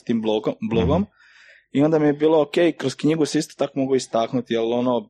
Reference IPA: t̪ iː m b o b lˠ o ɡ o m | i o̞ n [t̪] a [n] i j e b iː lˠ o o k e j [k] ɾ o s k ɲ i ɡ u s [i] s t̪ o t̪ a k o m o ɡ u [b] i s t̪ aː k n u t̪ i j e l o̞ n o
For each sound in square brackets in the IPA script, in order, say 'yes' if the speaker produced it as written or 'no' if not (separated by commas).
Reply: no, no, yes, yes, no